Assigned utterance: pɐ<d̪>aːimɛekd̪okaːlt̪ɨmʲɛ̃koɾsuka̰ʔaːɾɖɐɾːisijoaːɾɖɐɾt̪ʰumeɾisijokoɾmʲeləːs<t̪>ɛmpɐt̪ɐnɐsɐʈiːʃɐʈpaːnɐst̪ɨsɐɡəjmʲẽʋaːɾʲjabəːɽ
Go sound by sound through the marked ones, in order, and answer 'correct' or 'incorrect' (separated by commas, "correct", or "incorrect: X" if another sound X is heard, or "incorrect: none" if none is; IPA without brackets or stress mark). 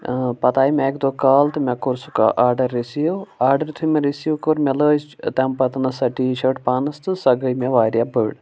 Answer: incorrect: t̪, correct